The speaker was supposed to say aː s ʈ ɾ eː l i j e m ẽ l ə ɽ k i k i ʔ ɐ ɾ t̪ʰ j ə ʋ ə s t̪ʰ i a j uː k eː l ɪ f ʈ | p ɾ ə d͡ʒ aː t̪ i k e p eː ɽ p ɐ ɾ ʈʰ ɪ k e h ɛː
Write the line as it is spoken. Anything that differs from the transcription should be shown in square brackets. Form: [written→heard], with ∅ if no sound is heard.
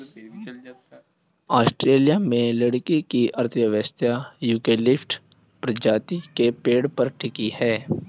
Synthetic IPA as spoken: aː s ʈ ɾ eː l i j [e→a] m ẽ l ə ɽ k i k i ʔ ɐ ɾ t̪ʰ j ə ʋ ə s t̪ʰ [i→j] a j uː k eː l ɪ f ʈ | p ɾ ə d͡ʒ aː t̪ i k e p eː ɽ p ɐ ɾ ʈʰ ɪ k [e→i] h ɛː